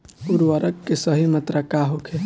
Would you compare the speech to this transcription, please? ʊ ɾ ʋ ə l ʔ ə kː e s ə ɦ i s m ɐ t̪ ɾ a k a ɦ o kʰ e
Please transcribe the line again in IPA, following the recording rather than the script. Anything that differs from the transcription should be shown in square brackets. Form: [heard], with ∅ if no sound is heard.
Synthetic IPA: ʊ ɾ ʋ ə [ɾ] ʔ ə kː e s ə ɦ i [∅] m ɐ t̪ ɾ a k a ɦ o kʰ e